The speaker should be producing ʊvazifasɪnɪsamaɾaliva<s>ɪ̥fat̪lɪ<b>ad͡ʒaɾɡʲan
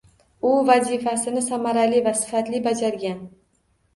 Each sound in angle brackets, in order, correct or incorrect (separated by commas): correct, correct